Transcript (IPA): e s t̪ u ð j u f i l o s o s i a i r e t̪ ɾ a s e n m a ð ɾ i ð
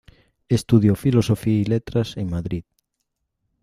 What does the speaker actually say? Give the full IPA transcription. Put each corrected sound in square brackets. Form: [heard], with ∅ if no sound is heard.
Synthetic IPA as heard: e s t̪ u ð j [o] f i l o s o [f] i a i [l] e t̪ ɾ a s e [ŋ] m a ð ɾ i ð